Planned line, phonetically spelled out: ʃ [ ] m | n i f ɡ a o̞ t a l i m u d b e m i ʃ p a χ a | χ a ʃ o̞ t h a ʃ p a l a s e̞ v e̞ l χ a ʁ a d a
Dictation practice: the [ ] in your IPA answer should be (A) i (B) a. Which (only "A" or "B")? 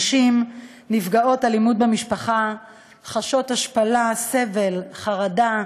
A